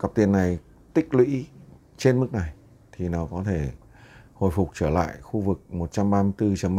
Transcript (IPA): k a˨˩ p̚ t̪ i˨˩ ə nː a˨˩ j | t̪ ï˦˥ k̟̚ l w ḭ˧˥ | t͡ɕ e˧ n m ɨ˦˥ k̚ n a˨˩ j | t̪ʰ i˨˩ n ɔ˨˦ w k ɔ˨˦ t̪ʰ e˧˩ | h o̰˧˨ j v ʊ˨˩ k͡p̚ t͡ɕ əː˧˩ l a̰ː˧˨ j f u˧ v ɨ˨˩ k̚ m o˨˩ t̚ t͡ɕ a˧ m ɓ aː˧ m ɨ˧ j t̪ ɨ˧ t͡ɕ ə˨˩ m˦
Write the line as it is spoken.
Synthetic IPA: k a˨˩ p̚ t̪ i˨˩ ə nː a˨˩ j | t̪ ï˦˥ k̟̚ l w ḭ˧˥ | t͡ɕ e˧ n m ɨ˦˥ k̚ n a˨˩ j | t̪ʰ i˨˩ n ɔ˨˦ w k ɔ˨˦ t̪ʰ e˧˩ | h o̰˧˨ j f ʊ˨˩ k͡p̚ t͡ɕ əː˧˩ l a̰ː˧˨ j x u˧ v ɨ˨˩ k̚ m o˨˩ t̚ t͡ɕ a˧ m ɓ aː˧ m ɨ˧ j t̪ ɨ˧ t͡ɕ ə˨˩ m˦